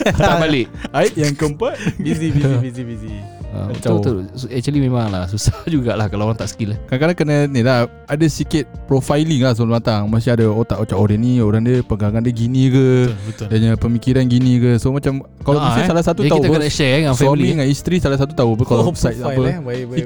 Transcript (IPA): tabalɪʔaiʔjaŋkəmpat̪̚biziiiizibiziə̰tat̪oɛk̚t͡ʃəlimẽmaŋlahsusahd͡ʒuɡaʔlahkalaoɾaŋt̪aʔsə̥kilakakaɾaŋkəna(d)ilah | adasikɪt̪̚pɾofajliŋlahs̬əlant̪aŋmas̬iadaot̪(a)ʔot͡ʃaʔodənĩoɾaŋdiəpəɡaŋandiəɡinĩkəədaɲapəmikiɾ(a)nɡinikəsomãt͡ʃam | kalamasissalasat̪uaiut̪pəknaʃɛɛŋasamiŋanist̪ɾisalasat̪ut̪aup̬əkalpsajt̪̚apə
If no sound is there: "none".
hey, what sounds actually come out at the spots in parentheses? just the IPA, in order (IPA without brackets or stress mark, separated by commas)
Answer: n, a, a